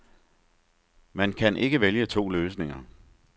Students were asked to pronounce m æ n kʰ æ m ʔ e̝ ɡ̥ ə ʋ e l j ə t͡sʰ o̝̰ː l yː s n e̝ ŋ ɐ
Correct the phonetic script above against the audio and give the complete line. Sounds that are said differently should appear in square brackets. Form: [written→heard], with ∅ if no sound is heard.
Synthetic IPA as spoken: m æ n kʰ æ [m→n] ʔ e̝ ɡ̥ ə ʋ e l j ə t͡sʰ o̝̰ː l [yː→øː] s n e̝ ŋ ɐ